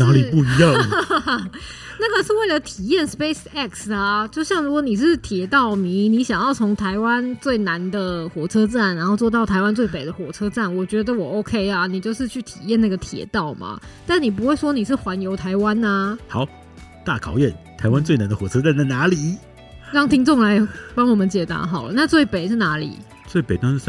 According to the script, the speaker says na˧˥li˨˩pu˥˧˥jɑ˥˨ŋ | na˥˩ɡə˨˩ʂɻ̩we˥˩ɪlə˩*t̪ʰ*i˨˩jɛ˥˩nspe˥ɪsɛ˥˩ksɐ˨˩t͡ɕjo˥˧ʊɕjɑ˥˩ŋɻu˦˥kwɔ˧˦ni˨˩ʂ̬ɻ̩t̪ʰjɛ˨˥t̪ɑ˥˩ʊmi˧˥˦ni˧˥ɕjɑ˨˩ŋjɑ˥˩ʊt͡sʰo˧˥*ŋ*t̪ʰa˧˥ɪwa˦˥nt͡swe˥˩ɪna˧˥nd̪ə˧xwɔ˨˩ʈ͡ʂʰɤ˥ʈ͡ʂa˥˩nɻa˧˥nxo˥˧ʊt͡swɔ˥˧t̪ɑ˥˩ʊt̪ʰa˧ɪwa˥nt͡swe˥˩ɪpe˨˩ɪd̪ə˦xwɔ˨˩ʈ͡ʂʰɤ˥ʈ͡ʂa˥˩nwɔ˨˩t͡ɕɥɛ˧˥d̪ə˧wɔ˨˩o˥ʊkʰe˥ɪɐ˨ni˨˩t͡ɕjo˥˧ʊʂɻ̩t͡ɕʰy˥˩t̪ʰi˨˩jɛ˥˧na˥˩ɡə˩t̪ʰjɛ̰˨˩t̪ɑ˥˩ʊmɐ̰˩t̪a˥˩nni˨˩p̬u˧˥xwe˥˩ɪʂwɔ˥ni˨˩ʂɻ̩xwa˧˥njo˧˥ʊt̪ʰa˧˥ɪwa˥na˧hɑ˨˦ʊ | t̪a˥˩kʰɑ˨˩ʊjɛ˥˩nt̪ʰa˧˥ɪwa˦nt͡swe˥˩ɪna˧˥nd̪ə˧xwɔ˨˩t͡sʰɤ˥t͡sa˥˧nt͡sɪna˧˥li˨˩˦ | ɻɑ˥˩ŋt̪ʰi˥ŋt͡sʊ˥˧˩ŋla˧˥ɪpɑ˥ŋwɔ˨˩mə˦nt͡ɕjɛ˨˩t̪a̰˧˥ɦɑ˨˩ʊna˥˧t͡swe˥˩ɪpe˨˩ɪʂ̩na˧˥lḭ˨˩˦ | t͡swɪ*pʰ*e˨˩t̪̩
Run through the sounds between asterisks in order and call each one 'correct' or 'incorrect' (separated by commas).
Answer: correct, correct, incorrect